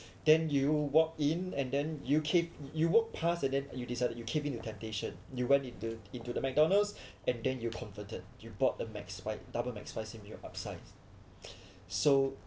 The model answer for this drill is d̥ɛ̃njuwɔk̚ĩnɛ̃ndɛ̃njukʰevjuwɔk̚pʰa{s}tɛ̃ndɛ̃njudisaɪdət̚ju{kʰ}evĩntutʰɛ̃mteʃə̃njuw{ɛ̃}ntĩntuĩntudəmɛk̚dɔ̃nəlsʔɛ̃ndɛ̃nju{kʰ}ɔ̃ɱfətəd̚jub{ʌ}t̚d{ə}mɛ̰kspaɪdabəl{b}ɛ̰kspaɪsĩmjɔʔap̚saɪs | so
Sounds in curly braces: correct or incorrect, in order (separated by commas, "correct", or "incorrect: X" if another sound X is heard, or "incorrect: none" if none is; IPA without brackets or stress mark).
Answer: correct, correct, correct, correct, incorrect: ɔ, correct, incorrect: m